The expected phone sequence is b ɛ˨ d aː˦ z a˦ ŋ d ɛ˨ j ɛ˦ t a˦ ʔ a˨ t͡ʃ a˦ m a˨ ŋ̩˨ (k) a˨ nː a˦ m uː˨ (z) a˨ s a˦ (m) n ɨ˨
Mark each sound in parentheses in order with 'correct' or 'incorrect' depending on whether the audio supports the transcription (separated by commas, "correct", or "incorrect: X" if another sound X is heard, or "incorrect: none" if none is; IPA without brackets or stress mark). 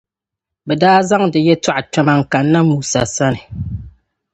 correct, incorrect: s, incorrect: none